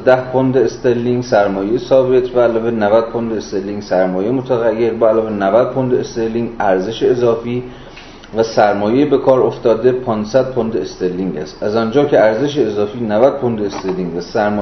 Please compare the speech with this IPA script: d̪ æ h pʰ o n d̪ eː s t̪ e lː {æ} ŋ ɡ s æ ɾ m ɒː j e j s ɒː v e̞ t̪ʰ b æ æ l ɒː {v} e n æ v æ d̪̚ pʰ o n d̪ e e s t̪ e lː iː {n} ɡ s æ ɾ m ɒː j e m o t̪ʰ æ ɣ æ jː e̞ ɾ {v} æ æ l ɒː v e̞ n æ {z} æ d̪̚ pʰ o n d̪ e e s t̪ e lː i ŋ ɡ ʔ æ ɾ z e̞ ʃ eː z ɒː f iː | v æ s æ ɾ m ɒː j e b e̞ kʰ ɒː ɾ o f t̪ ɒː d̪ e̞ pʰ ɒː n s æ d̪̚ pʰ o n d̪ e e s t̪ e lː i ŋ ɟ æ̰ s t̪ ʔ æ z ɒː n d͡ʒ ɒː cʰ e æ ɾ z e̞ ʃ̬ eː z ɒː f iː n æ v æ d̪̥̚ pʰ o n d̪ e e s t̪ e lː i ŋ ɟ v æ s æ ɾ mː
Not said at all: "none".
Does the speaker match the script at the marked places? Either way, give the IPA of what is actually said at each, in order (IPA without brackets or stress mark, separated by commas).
i, v, ŋ, b, v